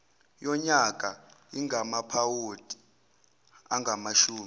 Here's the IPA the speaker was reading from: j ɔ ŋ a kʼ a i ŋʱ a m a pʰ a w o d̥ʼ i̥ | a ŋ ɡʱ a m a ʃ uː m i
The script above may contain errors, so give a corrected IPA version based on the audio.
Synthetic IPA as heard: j ɔ ɲ a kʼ a i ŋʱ a m a pʰ a w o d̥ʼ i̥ | a ŋ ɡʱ a m a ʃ uː m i